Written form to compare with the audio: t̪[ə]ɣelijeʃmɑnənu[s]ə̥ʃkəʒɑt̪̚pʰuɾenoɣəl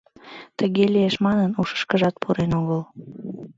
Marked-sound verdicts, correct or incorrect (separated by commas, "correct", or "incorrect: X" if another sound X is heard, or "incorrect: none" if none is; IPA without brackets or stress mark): correct, incorrect: ʃ